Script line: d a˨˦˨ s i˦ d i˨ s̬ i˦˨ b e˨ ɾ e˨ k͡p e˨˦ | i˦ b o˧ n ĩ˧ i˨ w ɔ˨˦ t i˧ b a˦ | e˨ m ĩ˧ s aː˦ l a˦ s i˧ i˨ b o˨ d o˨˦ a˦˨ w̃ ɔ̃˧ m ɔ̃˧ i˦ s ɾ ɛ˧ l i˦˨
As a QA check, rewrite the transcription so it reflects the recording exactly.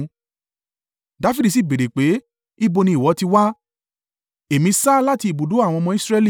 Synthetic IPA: d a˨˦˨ f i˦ d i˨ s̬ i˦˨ b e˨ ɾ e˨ k͡p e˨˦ | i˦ b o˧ n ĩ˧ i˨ w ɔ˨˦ t i˧ w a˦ | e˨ m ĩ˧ s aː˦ l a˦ t i˧ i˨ b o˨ d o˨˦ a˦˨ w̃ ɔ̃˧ m ɔ̃˧ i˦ s ɾ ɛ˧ l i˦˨